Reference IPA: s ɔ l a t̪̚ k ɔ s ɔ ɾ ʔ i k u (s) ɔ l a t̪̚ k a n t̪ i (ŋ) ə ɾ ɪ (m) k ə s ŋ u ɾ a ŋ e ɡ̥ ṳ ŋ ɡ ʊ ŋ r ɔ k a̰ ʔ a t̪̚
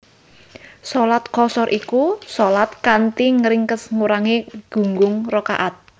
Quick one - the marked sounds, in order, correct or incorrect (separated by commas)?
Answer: correct, correct, incorrect